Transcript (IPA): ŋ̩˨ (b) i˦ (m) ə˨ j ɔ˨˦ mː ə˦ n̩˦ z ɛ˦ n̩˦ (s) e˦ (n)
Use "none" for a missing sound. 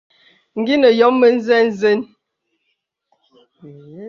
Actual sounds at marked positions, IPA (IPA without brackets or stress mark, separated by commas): ɡ, n, z, n